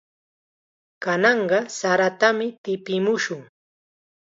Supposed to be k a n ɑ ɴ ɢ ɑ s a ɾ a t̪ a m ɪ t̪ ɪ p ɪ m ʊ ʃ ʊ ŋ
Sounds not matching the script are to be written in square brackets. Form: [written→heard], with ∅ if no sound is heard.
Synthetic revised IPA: k a n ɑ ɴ ɢ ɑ s a ɾ a t̪ a m ɪ t̪ ɪ p ɪ m ʊ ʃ ʊ ŋ